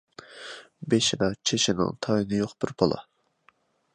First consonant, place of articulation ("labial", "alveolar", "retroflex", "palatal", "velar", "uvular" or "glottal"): labial